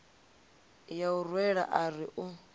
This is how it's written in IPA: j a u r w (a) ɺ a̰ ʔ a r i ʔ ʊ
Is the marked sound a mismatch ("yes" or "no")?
yes